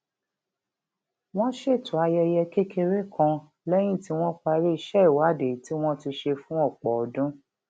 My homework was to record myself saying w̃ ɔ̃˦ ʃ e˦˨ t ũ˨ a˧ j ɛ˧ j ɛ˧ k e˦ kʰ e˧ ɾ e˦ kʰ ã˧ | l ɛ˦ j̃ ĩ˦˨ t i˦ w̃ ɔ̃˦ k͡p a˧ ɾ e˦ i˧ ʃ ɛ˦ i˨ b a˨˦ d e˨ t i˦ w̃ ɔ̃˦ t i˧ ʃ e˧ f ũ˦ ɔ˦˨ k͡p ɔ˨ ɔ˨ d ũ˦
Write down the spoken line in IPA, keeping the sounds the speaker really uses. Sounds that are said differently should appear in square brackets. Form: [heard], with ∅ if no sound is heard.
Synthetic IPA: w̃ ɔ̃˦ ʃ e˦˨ t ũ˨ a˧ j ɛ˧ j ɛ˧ k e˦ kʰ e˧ ɾ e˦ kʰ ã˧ | l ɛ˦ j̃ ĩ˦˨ t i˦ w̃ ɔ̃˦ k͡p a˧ ɾ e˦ i˧ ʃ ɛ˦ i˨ [w] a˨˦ d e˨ t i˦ w̃ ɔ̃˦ t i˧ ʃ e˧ f ũ˦ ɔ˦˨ k͡p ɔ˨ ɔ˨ d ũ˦

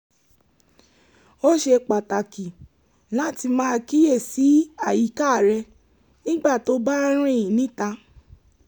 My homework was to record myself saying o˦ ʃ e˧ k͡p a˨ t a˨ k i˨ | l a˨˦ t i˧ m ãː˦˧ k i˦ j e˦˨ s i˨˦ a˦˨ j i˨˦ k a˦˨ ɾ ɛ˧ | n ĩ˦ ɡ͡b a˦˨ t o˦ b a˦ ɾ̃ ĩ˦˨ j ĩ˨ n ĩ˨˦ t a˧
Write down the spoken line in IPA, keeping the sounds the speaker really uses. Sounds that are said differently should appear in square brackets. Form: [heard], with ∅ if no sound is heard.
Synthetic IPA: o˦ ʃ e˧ k͡p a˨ t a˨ k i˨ | l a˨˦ t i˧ m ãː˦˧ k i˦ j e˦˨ s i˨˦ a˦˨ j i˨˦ k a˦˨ ɾ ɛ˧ | n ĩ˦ ɡ͡b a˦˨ t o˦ b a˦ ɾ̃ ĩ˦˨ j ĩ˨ n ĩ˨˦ t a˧

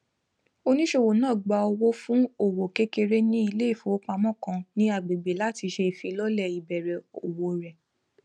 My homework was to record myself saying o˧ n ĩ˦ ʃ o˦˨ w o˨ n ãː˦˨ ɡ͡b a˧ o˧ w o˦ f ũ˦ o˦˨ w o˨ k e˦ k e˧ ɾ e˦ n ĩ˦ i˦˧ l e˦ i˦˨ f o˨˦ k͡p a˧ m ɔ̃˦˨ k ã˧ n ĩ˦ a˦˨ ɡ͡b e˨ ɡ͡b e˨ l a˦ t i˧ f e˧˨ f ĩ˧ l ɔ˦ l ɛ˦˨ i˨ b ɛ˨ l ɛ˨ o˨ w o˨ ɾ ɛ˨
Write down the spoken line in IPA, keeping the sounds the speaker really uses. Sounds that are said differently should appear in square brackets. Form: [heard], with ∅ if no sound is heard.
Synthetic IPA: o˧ n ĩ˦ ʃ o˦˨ w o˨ n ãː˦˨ ɡ͡b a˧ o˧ w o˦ f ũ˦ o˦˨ w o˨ k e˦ k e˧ ɾ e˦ n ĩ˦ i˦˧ l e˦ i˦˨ f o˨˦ k͡p a˧ m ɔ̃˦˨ k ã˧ n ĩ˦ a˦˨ ɡ͡b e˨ ɡ͡b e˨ l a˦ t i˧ [ʃ] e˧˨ f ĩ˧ l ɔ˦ l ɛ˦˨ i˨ b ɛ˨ [ɾ] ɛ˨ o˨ w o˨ ɾ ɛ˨

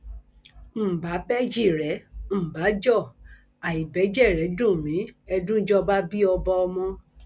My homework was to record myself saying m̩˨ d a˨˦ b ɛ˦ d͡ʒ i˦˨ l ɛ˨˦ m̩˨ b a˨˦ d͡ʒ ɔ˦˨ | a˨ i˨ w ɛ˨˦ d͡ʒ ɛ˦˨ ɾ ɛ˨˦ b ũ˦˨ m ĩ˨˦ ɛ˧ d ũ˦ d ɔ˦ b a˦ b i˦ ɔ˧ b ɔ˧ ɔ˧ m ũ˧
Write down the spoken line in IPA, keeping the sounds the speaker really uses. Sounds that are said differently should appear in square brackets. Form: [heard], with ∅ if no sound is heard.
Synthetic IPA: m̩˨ [b] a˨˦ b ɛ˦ d͡ʒ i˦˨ [ɾ] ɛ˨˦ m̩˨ b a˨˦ d͡ʒ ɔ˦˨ | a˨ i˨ [b] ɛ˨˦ d͡ʒ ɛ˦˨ ɾ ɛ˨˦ [d] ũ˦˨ m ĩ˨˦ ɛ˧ d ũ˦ [d͡ʒ] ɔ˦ b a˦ b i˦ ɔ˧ b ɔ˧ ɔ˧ m [ɔ̃˧]

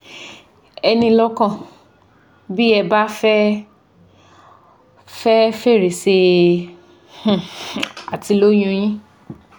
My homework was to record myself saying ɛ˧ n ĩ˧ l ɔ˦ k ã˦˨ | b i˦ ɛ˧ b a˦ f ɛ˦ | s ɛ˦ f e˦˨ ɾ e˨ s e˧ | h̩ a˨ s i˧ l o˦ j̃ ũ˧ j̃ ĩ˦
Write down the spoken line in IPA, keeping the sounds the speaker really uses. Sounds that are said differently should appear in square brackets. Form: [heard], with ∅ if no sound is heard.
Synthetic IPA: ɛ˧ n ĩ˧ l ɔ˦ k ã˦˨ | b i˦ ɛ˧ b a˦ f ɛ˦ | [f] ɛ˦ f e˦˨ ɾ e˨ s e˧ | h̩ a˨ [t] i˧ l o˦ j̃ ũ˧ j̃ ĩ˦

